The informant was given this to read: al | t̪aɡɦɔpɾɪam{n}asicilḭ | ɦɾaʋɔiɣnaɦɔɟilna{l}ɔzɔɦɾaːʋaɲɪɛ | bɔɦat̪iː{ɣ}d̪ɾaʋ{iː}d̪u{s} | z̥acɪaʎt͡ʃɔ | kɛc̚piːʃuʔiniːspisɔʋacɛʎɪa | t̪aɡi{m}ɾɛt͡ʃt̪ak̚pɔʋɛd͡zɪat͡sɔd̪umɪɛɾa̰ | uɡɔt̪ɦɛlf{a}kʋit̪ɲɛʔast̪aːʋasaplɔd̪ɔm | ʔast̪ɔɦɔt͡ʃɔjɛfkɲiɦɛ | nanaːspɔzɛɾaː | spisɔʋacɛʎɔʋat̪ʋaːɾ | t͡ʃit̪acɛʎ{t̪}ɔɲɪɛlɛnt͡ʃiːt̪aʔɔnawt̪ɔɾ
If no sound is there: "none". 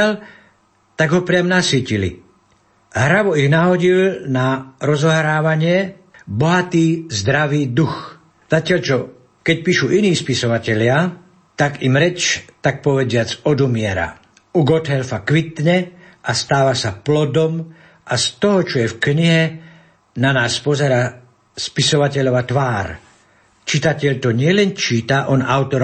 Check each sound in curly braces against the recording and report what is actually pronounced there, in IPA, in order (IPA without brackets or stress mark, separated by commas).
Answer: n, ɾ, z, iː, x, m, a, t̪